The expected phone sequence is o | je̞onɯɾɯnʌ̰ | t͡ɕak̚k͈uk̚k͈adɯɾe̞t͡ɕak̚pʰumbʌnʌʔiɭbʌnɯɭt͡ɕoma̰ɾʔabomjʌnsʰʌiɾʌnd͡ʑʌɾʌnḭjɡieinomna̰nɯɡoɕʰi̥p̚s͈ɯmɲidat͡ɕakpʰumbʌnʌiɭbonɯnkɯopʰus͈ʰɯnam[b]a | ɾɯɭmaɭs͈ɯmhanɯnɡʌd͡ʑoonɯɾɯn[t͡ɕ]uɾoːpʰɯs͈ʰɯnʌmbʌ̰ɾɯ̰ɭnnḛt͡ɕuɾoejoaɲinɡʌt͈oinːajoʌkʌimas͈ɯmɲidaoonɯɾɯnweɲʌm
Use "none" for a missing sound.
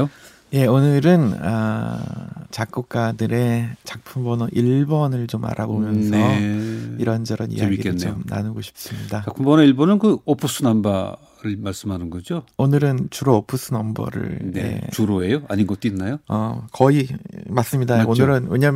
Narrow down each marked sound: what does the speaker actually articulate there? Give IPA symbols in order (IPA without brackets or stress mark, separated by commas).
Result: b, t͡ɕ